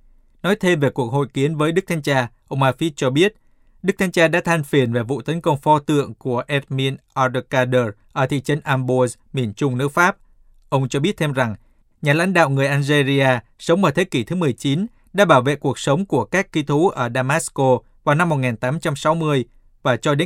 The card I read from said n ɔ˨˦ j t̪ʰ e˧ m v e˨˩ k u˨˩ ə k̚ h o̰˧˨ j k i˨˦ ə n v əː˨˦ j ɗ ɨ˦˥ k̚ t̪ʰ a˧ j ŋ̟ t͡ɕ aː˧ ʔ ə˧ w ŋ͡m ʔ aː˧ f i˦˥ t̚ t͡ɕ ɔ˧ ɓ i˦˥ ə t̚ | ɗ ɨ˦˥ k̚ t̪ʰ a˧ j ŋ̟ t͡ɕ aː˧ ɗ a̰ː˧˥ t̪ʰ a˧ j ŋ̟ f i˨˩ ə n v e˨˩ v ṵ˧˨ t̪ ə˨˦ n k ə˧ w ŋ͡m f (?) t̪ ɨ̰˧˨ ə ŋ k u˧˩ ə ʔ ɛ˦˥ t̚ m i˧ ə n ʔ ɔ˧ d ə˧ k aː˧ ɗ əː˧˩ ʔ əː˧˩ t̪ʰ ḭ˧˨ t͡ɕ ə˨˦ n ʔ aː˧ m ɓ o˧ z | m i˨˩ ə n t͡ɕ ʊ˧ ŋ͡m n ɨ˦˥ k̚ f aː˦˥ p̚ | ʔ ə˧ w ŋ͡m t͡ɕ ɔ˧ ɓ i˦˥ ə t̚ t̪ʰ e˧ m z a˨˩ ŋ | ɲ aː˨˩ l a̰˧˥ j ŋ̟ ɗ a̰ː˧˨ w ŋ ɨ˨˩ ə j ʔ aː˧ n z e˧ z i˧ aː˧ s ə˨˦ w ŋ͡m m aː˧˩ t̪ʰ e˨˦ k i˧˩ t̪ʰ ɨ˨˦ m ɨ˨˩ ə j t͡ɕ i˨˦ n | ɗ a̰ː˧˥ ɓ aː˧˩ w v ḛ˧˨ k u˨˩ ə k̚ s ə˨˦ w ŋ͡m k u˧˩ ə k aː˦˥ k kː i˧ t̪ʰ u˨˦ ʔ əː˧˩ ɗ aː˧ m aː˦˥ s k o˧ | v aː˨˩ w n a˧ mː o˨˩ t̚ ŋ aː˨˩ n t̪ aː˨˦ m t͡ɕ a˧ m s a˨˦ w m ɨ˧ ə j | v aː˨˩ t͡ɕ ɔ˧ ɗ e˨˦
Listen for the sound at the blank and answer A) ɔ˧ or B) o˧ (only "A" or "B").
A